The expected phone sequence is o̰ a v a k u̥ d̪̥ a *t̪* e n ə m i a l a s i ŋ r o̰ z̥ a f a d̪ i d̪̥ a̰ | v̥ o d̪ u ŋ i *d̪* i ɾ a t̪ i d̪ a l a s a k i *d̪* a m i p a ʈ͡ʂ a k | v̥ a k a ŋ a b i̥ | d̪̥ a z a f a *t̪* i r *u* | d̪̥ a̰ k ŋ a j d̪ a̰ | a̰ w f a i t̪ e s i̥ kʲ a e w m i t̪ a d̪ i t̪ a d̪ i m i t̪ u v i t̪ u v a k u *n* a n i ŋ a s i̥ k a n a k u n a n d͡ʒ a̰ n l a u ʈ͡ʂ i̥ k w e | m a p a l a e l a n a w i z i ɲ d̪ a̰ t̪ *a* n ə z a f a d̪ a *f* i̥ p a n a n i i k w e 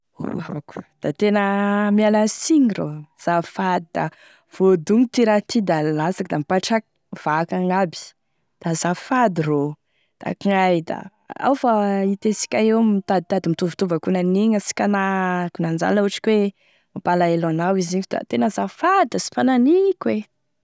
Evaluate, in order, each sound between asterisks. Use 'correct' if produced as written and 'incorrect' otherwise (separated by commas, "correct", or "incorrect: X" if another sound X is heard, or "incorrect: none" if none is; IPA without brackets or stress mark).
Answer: correct, incorrect: t̪, correct, incorrect: d̪, incorrect: o, correct, incorrect: e, incorrect: s